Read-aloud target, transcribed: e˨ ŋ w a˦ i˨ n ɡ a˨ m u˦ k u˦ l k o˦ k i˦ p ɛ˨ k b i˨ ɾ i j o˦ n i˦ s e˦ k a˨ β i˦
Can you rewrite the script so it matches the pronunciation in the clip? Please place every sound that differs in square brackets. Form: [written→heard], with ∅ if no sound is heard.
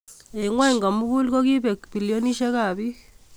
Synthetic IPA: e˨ ŋ w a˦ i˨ [n→ŋ] ɡ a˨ m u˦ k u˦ l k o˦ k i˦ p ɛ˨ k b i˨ [ɾ→l] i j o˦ n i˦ [s→ʃ] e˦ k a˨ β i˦